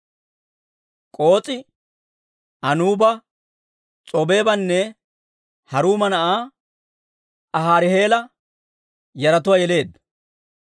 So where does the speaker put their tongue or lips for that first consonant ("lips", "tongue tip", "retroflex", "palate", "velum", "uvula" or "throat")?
velum